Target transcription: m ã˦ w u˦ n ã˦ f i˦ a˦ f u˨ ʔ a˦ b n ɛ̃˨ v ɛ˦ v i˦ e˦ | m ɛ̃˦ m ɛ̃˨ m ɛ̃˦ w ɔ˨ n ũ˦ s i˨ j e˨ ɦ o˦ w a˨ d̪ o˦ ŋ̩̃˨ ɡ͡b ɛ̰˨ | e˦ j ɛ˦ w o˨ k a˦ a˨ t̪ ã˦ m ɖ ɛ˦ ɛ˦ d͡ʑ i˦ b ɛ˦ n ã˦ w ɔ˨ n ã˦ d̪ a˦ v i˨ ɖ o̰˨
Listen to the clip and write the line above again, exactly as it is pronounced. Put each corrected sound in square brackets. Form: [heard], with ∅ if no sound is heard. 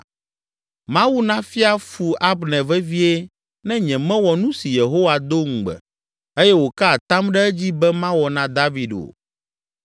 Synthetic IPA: m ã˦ w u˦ n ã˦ f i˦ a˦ f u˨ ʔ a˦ b n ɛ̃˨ v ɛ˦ v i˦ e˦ | [n] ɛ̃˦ [ɲ] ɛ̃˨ m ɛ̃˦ w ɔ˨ n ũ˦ s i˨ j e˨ ɦ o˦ w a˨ d̪ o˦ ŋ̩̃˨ ɡ͡b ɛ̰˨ | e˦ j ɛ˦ w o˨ k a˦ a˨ t̪ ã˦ m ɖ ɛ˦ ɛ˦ d͡ʑ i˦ b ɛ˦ [m] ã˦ w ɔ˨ n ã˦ d̪ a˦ v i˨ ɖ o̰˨